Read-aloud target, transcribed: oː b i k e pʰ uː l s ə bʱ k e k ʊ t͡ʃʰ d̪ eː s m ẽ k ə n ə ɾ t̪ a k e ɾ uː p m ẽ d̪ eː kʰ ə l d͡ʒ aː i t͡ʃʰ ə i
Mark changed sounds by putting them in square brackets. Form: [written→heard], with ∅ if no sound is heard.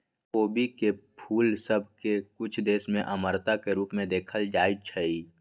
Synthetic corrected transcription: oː b i k e pʰ uː l s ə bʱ k e k ʊ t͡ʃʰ d̪ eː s m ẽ [k→ʔ] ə [n→m] ə ɾ t̪ a k e ɾ uː p m ẽ d̪ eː kʰ ə l d͡ʒ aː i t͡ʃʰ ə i